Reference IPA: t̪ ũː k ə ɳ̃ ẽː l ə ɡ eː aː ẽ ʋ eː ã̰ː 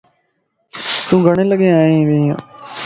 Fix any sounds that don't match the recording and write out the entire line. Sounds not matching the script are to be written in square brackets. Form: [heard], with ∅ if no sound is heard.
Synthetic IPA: t̪ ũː [ɡ] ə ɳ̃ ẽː l ə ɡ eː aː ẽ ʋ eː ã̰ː